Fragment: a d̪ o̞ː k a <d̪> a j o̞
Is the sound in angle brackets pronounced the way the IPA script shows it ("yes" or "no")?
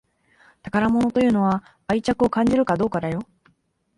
yes